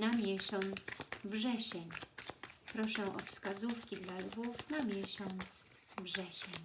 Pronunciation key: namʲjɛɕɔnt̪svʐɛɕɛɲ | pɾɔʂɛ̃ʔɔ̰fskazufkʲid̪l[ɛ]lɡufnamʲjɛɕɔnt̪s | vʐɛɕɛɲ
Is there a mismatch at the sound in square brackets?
yes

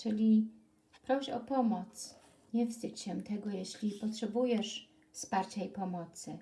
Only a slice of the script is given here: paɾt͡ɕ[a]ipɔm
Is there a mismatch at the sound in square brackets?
no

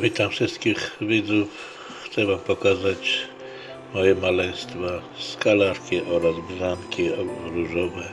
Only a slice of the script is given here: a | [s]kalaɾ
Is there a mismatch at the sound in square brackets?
no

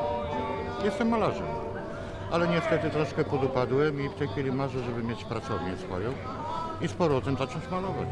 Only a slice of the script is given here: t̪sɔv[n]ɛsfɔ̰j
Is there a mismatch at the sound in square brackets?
yes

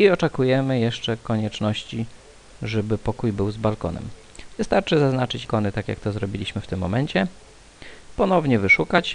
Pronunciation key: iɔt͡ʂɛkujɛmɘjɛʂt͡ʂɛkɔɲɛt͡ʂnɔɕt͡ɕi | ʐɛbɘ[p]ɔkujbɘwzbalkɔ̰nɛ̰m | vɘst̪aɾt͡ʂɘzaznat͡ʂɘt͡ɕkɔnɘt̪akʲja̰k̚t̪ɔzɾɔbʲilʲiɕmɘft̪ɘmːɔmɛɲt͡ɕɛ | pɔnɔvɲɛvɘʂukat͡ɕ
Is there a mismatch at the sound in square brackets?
no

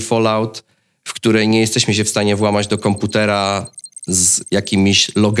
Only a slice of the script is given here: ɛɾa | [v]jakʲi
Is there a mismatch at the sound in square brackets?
yes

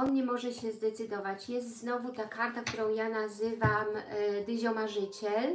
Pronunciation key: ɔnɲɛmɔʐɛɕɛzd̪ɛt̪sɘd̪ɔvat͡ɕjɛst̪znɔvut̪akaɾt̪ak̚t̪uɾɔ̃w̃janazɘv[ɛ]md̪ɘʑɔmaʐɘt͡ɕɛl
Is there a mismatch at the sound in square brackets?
yes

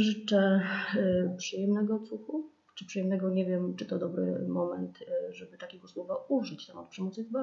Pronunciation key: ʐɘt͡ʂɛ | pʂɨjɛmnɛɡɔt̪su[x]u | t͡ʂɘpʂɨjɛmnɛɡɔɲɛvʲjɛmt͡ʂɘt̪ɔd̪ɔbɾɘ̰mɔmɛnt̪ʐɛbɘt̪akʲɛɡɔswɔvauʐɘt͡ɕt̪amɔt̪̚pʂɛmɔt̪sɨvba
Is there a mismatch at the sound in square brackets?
no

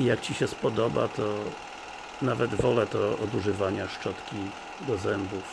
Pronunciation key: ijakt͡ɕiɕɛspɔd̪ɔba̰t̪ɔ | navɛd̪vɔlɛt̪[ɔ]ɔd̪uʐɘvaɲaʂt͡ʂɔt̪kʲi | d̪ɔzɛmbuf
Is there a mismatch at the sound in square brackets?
no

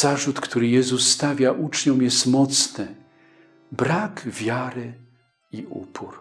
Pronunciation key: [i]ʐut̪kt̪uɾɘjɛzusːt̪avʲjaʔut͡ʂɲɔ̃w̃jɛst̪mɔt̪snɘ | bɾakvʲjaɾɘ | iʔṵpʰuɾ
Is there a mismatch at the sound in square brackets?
yes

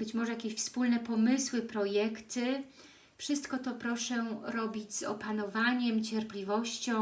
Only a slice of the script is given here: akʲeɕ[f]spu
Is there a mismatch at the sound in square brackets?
no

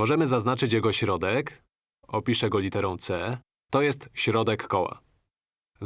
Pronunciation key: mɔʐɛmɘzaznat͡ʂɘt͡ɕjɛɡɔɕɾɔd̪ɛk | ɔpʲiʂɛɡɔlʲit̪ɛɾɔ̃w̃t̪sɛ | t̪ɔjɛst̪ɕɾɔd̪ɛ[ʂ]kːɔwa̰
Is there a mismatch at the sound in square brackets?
yes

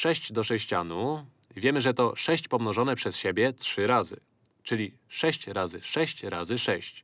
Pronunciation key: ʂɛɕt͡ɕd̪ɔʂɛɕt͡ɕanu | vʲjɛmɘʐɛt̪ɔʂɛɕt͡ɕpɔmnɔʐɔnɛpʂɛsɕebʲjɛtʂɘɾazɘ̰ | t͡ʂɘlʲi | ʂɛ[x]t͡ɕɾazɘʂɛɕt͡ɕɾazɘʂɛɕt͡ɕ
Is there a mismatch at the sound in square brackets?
yes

